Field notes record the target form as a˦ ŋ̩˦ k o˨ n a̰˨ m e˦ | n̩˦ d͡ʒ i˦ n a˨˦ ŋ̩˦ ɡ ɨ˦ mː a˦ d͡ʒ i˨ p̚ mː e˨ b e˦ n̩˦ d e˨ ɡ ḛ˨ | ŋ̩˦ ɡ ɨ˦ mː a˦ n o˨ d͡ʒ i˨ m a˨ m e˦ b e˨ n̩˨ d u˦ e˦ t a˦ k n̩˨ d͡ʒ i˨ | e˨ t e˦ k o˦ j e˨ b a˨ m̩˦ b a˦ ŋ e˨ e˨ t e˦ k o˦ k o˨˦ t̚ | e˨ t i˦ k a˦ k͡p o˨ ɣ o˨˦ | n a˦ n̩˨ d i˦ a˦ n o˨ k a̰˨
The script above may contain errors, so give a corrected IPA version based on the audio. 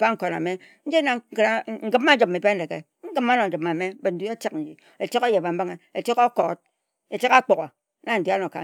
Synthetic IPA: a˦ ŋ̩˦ k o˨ n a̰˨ m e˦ | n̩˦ d͡ʒ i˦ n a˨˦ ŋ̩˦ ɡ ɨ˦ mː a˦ d͡ʒ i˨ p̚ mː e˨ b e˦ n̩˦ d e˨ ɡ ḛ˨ | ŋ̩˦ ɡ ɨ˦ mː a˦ n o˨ d͡ʒ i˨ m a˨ m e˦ b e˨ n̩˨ d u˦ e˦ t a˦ k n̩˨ d͡ʒ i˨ | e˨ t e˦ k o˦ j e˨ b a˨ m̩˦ b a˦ ŋ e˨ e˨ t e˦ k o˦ k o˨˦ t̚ | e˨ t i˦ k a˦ k͡p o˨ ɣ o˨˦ | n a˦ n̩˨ d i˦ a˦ n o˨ k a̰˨